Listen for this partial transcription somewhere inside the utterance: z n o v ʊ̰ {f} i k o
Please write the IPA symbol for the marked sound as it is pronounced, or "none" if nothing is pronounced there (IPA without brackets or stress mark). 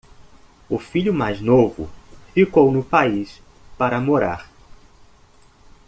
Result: f